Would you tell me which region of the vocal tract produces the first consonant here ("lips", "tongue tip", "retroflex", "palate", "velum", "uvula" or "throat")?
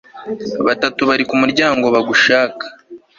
lips